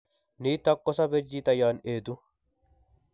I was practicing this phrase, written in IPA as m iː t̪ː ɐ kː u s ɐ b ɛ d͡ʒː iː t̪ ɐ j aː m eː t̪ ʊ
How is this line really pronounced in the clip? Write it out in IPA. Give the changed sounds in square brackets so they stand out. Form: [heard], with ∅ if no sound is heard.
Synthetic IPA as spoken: [n] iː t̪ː ɐ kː [ɔ] s ɐ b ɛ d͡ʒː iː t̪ ɐ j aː [n] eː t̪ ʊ